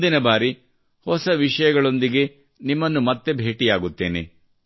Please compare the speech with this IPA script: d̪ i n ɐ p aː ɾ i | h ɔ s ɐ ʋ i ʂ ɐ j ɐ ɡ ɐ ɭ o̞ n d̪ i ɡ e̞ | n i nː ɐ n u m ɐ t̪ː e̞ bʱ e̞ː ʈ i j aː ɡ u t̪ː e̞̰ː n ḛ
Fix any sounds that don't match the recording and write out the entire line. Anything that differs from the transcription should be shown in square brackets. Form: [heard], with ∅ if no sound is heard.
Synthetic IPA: d̪ i n ɐ [b] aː ɾ i | h ɔ s ɐ ʋ i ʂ ɐ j ɐ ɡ ɐ ɭ o̞ n d̪ i ɡ e̞ | n i [mː] ɐ [nː] u m ɐ t̪ː e̞ bʱ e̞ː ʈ i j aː ɡ u t̪ː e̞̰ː n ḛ